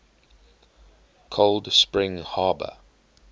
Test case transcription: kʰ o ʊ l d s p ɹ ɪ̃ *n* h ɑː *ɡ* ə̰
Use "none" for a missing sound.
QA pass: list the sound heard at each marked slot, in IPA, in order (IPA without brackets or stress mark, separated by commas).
ŋ, b